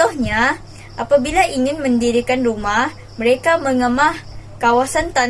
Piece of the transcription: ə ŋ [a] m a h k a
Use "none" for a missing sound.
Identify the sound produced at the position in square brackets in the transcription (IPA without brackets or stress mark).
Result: ə